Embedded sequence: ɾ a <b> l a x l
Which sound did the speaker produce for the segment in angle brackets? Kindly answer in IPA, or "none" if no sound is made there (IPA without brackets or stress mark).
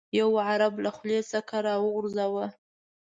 b